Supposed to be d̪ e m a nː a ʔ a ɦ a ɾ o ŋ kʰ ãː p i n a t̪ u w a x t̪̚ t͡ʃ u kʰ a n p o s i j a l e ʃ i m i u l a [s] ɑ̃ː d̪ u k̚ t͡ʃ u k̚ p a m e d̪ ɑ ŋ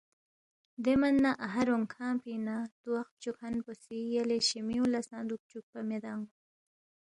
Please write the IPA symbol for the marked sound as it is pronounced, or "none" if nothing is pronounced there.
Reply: s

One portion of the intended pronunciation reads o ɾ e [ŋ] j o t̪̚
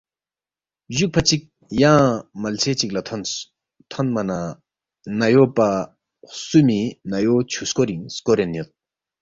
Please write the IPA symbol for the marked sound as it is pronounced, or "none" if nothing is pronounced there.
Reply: n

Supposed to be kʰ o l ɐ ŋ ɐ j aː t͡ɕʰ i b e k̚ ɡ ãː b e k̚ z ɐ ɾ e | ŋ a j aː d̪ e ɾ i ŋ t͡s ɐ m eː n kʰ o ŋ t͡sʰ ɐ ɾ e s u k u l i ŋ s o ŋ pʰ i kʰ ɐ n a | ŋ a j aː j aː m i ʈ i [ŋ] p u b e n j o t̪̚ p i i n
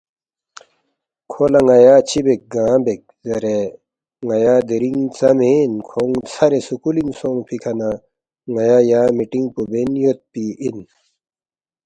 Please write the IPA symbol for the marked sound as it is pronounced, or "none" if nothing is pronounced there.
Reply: ŋ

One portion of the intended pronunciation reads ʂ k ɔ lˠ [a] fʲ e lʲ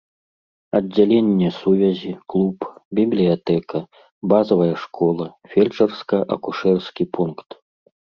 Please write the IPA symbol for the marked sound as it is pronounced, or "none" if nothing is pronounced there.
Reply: ɐ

